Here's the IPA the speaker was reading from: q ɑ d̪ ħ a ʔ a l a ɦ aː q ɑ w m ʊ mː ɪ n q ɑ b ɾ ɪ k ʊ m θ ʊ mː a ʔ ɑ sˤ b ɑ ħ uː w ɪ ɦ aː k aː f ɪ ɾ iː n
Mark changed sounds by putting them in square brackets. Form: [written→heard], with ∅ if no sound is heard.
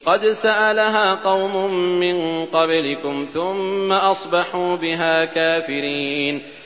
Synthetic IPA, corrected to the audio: q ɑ d̪ [ħ→s] a ʔ a l a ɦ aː q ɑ w m ʊ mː ɪ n q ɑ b [ɾ→l] ɪ k ʊ m θ ʊ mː a ʔ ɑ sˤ b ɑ ħ uː [w→b] ɪ ɦ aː k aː f ɪ ɾ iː n

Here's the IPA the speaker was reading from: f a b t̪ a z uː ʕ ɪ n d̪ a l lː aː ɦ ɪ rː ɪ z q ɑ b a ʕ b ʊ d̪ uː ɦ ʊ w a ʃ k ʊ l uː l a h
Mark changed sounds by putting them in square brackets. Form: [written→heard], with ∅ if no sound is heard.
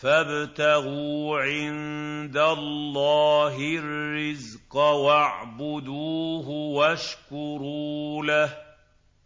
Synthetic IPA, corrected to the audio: f a b t̪ a [z→ɣ] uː ʕ ɪ n d̪ a l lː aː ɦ ɪ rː ɪ z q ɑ [b→w] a ʕ b ʊ d̪ uː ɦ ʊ w a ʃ k ʊ [l→ɾ] uː l a h

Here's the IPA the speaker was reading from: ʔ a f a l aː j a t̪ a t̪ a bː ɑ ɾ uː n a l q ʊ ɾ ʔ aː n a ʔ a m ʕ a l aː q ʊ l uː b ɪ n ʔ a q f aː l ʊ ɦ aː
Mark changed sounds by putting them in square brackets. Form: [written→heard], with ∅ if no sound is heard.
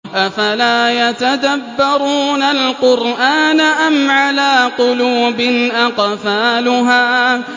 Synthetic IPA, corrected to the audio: ʔ a f a l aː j a t̪ a [t̪→d̪] a bː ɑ ɾ uː n a l q ʊ ɾ ʔ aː n a ʔ a m ʕ a l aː q ʊ l uː b ɪ n ʔ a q f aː l ʊ ɦ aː

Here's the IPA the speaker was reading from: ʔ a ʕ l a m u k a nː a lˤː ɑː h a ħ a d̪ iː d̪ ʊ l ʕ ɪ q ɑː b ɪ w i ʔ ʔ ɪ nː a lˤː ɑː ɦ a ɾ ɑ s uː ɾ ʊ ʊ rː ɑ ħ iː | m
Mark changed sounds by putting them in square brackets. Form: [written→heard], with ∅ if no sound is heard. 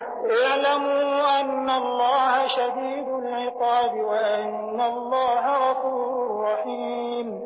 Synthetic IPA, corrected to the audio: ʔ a ʕ l a m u [k→ʔ] a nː a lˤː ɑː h a [ħ→ʃ] a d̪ iː d̪ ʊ l ʕ ɪ q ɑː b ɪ w [i→a] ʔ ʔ ɪ nː a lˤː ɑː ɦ a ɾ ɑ [s→f] uː ɾ ʊ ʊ rː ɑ ħ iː | m

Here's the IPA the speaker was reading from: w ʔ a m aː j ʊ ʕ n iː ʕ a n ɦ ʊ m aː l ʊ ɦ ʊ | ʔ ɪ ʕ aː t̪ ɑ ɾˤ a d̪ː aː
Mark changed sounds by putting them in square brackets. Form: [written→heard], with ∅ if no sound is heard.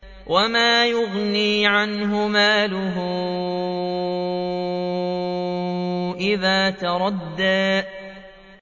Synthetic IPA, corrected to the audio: w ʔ a m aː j ʊ [ʕ→ɣ] n iː ʕ a n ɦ ʊ m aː l ʊ ɦ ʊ | ʔ ɪ [ʕ→ð] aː t̪ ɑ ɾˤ [a→ɑ] d̪ː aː

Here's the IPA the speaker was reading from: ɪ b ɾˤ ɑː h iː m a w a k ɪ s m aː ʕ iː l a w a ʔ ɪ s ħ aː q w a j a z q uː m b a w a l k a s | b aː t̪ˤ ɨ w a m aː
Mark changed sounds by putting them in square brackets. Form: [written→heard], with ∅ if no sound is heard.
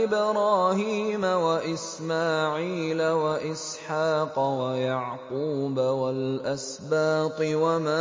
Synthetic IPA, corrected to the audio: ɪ b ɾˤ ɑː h iː m a w a [k→ʔ] ɪ s m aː ʕ iː l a w a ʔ ɪ s ħ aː q w a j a [z→ʕ] q uː [m→∅] b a w a l [k→ʔ] a s | b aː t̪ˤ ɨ w a m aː

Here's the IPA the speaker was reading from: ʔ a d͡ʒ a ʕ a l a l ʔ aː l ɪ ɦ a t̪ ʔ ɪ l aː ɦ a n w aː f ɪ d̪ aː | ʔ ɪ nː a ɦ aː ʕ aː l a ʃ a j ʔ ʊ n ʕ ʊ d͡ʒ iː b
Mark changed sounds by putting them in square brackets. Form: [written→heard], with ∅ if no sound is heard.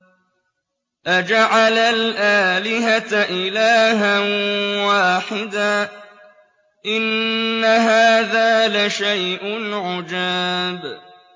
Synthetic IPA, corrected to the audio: ʔ a d͡ʒ a ʕ a l a l ʔ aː l ɪ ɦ a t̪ ʔ ɪ l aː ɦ a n w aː [f→ħ] ɪ d̪ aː | ʔ ɪ nː a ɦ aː [ʕ→ð] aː l a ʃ a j ʔ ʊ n ʕ ʊ d͡ʒ [iː→aː] b

